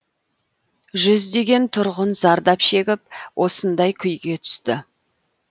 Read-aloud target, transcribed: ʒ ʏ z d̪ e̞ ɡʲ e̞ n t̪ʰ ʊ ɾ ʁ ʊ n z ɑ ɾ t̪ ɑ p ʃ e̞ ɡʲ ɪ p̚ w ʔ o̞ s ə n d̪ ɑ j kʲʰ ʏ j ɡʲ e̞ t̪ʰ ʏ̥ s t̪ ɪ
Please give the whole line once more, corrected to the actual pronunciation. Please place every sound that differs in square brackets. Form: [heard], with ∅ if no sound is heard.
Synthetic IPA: ʒ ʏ z d̪ e̞ ɡʲ e̞ n t̪ʰ ʊ ɾ ʁ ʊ n z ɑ ɾ [d̪] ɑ p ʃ e̞ ɡʲ ɪ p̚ w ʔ o̞ s ə n d̪ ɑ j kʲʰ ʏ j ɡʲ e̞ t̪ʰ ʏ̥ s t̪ ɪ

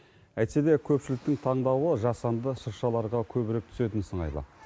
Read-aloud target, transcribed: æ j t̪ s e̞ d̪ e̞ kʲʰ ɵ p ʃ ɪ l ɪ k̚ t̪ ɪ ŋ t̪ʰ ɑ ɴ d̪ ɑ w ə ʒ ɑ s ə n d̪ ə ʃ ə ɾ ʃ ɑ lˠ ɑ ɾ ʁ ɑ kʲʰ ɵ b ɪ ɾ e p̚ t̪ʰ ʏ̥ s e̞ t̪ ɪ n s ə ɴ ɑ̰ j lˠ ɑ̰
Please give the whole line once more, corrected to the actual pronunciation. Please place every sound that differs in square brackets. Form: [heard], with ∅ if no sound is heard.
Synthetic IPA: æ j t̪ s e̞ d̪ e̞ kʲʰ ɵ p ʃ ɪ l ɪ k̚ t̪ ɪ ŋ t̪ʰ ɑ ɴ d̪ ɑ w ə ʒ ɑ s [ɑ] n d̪ ə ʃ ə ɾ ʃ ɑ lˠ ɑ ɾ ʁ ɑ kʲʰ ɵ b ɪ ɾ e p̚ t̪ʰ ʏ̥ s e̞ t̪ ɪ n s ə ɴ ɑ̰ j lˠ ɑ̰

